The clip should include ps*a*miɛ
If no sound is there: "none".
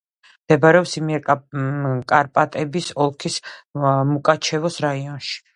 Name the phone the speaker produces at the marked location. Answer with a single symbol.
i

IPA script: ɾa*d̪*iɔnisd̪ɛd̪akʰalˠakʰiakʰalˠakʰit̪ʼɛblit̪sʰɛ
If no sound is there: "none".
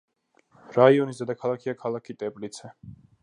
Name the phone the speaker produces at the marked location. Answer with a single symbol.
none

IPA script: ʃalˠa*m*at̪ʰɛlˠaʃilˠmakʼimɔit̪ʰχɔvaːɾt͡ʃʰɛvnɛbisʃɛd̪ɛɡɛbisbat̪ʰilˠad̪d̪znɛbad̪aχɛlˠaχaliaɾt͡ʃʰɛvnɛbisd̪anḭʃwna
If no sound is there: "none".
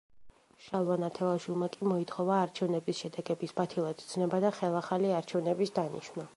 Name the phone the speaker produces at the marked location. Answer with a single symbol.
n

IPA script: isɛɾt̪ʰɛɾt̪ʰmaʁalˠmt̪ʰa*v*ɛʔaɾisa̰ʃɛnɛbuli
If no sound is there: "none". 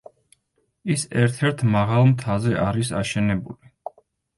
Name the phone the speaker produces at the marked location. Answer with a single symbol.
z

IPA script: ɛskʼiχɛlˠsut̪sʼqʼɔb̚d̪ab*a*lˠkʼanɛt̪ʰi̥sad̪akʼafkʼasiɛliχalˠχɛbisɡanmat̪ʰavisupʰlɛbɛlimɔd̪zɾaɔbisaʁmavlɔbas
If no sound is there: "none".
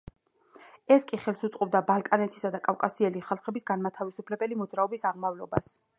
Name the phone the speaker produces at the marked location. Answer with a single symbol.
a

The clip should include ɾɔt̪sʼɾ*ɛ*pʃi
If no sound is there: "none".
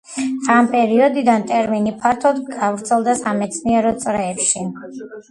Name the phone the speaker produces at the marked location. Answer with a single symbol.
ɛː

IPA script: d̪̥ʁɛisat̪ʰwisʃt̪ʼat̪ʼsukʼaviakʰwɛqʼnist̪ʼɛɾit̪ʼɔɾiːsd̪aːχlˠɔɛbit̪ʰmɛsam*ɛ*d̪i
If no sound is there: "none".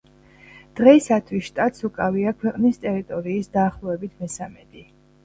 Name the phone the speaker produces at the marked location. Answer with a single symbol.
ɛ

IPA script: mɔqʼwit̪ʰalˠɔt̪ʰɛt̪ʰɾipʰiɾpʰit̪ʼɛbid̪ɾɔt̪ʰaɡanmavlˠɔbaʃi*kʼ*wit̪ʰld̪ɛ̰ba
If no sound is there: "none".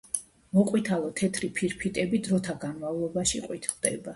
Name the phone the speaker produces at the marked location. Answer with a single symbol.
qʼ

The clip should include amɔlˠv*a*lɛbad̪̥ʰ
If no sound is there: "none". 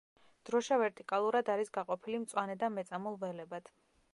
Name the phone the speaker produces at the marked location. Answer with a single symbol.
ɛ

